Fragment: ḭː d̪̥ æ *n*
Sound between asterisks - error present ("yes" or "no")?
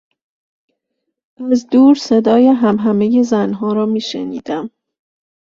yes